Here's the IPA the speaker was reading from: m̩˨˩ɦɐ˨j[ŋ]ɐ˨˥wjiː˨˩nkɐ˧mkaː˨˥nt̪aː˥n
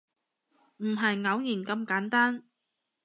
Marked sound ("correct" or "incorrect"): correct